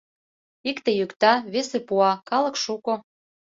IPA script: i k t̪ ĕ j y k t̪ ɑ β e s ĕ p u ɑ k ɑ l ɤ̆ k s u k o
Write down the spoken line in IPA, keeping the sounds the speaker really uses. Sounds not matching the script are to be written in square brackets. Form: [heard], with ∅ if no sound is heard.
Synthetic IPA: i k t̪ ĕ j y k t̪ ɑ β e s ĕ p u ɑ k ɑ l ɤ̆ k [ʃ] u k o